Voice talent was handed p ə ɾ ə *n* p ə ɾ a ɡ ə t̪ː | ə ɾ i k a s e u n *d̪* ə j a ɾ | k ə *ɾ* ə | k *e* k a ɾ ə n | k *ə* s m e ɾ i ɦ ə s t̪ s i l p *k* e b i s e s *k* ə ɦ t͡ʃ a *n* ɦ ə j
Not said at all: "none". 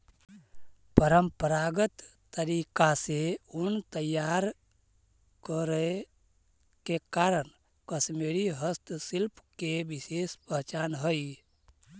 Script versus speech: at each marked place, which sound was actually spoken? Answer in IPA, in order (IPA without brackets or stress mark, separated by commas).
m, t̪, ɾ, e, ə, k, p, n